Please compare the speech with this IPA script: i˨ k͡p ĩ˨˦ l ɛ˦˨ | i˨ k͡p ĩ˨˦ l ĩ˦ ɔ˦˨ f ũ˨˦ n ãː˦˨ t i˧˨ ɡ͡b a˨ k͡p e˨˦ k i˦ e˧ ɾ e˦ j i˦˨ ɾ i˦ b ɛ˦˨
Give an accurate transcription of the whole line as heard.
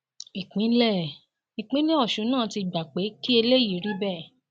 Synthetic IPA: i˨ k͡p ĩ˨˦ l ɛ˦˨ | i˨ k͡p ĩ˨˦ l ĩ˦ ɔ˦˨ ʃ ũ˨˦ n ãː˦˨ t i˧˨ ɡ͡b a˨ k͡p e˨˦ k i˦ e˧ l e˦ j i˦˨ ɾ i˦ b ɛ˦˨